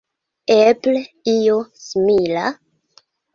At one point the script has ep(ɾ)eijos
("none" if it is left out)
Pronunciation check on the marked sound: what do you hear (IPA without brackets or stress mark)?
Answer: l